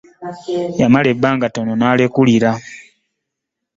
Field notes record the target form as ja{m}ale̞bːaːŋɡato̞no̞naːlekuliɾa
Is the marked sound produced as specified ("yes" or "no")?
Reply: yes